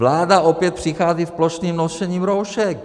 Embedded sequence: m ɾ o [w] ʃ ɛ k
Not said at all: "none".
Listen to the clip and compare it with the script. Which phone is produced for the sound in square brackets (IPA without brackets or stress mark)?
w